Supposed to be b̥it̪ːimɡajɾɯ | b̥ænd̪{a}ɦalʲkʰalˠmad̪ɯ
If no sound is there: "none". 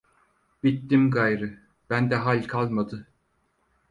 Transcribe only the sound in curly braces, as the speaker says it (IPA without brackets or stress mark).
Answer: ɛ